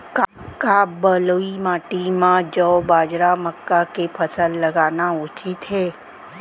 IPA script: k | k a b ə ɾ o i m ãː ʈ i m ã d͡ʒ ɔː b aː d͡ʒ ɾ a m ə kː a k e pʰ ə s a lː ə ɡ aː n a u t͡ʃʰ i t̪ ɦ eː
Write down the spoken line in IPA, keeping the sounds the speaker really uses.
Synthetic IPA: k | k a b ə l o i m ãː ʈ i m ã d͡ʒ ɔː b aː d͡ʒ ɾ a m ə kː a k e pʰ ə s ə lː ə ɡ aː n a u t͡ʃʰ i t̪ ɦ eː